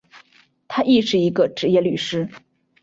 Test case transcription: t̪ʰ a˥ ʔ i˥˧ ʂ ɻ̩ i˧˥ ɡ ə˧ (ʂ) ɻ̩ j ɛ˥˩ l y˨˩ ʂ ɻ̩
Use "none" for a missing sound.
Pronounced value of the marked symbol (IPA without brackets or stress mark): ʈ͡ʂ